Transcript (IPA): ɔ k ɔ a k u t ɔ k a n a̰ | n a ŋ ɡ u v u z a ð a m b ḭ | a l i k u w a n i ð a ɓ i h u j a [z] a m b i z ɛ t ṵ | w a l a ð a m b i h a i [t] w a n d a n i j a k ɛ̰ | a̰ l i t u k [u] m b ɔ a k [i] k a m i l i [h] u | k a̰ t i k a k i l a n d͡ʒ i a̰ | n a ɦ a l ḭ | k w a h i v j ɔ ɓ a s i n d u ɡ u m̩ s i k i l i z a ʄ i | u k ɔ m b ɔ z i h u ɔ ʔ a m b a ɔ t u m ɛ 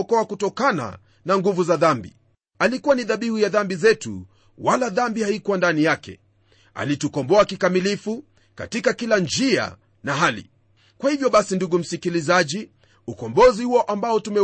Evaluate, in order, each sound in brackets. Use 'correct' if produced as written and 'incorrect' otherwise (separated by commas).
incorrect, incorrect, incorrect, correct, incorrect